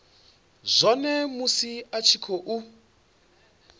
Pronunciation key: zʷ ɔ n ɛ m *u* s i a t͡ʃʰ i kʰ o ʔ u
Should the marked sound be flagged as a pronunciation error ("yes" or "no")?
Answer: no